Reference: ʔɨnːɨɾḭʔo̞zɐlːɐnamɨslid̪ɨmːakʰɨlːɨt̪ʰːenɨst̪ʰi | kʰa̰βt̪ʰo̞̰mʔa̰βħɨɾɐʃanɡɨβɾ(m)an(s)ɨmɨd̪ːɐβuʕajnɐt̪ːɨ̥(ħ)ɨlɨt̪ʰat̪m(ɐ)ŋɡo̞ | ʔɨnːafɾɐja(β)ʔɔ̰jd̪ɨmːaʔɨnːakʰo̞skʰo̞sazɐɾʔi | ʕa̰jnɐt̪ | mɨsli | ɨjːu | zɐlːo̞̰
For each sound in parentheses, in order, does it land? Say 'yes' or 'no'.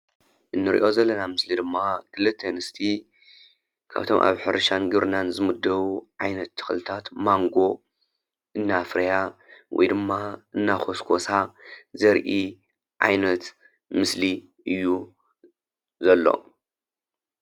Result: no, no, no, no, no

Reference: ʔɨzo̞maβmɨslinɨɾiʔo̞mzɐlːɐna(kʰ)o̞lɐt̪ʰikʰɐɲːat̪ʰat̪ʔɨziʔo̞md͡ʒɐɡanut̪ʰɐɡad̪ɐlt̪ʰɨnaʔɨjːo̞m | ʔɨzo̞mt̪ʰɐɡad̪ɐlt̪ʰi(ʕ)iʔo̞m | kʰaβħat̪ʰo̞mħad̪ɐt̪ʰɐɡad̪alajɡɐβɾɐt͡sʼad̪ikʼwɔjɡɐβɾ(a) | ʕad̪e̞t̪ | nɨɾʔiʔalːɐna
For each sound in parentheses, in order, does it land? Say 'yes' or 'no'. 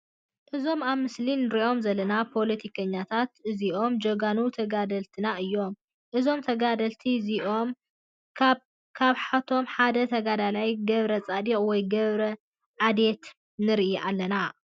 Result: no, no, no

